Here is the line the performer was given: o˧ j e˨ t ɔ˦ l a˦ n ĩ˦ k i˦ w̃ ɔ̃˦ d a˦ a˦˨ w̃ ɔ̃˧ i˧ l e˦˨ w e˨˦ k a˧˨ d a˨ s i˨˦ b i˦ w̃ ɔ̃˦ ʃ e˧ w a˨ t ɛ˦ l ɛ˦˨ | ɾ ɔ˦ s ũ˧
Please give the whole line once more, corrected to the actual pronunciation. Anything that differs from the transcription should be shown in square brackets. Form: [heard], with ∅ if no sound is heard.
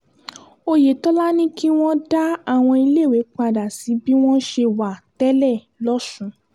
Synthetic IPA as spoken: o˧ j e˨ t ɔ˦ l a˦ n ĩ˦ k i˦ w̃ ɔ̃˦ d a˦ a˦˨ w̃ ɔ̃˧ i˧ l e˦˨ w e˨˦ [k͡p] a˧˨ d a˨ s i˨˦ b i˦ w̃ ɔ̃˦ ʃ e˧ w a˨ t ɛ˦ l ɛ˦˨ | [l] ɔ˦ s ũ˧

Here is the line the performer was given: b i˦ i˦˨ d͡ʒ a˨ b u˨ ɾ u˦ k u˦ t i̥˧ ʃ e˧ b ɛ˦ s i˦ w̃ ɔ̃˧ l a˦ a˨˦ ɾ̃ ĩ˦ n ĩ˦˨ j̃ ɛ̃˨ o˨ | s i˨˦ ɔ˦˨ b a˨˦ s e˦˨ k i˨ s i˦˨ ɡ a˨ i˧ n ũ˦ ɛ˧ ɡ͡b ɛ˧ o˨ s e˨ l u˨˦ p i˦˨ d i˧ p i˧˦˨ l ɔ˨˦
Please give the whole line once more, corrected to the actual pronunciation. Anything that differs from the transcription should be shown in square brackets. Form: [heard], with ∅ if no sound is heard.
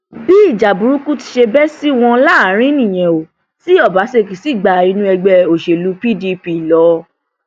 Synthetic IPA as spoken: b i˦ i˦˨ d͡ʒ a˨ b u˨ ɾ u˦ k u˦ t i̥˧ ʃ e˧ b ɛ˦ s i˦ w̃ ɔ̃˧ l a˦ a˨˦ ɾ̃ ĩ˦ n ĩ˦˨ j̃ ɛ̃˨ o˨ | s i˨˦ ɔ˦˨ b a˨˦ s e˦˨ k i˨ s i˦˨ [ɡ͡b] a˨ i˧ n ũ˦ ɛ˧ ɡ͡b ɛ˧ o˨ [ʃ] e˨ l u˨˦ p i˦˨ d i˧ p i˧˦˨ l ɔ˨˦

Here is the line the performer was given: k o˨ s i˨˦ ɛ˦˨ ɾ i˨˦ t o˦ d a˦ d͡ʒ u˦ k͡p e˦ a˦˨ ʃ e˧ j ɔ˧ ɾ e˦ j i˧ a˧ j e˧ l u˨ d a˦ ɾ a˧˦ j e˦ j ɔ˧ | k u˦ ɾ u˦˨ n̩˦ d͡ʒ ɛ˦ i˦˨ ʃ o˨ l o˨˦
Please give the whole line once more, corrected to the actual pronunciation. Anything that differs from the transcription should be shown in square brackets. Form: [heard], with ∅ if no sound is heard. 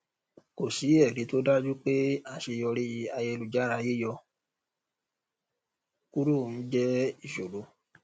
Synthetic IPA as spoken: k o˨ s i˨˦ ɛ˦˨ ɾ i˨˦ t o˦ d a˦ d͡ʒ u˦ k͡p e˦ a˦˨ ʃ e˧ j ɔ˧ ɾ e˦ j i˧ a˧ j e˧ l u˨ [d͡ʒ] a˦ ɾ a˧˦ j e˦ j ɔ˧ | k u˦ ɾ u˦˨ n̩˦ d͡ʒ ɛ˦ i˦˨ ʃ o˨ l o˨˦

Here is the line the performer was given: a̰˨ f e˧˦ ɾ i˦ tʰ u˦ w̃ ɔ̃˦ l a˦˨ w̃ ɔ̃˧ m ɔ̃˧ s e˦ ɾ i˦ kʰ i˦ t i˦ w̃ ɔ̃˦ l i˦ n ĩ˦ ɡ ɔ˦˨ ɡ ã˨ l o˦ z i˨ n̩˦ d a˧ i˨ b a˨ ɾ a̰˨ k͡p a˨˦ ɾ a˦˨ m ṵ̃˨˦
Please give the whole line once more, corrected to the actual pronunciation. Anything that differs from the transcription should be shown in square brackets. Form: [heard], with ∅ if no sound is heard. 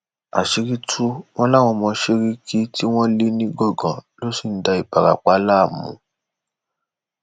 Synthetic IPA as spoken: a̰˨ [ʃ] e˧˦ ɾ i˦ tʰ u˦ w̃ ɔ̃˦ l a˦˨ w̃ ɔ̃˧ m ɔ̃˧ [ʃ] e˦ ɾ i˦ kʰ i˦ t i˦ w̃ ɔ̃˦ l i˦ n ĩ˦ ɡ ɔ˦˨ ɡ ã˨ l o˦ [s] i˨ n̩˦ d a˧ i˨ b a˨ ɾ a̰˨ k͡p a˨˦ [l] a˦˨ m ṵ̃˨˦

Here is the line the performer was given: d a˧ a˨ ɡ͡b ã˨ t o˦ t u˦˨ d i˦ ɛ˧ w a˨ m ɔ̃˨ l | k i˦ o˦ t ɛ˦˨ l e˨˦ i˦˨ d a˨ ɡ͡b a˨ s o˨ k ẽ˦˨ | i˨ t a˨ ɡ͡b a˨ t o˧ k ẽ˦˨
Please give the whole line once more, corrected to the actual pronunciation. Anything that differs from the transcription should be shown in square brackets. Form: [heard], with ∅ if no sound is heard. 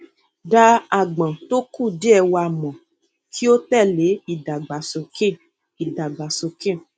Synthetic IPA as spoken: d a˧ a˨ ɡ͡b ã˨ t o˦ [k] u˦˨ d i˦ ɛ˧ w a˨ m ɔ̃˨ [∅] | k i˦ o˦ t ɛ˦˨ l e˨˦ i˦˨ d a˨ ɡ͡b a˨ s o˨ k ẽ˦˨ | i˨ [d] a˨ ɡ͡b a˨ [s] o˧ k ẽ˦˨

